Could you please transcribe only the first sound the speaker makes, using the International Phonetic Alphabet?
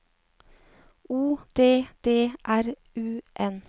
uː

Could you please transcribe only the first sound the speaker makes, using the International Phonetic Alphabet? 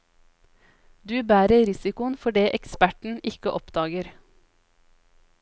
d̪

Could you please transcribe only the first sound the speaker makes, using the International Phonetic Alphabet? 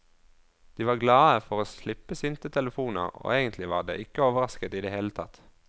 d̪̥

